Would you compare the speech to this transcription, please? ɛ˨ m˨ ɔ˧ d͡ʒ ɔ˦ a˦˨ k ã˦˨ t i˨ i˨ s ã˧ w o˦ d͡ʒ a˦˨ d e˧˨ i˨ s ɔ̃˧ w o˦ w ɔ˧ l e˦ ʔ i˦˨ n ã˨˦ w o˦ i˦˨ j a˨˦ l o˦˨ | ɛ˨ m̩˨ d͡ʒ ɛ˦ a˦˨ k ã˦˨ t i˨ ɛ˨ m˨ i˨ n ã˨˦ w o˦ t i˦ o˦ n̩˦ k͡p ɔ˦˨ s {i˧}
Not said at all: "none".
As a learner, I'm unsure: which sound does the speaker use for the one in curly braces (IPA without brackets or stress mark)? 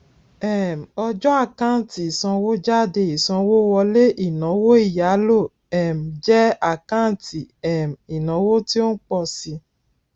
i˧